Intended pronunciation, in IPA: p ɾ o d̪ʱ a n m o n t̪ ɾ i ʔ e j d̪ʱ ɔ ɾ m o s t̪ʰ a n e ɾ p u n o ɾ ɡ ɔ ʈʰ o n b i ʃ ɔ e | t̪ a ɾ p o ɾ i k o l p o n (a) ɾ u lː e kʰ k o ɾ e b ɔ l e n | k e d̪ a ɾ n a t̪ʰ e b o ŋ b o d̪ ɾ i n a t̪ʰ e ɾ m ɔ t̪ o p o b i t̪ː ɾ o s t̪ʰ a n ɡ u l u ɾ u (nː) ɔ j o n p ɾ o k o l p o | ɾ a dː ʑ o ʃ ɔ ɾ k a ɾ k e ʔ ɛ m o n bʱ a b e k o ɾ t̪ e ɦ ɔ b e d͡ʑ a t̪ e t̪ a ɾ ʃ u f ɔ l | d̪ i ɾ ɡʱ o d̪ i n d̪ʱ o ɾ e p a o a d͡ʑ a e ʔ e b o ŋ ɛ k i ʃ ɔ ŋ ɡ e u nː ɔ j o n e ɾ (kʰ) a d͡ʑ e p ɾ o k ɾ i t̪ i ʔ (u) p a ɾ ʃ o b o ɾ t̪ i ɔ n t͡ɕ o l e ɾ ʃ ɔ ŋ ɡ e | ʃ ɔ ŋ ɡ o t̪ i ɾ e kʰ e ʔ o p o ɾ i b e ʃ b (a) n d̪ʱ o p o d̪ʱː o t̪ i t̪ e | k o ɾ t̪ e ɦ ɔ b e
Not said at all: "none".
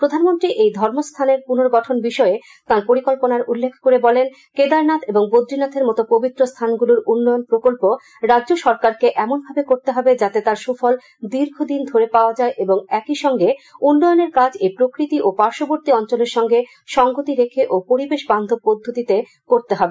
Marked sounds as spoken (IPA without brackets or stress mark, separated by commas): a, nː, k, o, a